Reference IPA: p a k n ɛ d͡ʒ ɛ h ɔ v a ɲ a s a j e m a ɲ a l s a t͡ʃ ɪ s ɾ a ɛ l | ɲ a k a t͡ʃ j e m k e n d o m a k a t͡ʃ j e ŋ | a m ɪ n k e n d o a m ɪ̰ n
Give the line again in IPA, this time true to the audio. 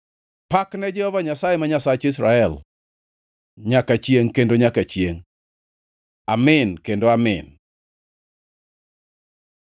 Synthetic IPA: p a k n ɛ d͡ʒ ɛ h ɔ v a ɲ a s a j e m a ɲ a s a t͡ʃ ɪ s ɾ a ɛ l | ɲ a k a t͡ʃ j e ŋ k e n d o ɲ a k a t͡ʃ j e ŋ | a m ɪ n k e n d o a m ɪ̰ n